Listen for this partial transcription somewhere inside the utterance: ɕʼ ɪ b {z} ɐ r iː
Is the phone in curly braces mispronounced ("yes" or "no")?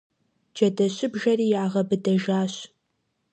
yes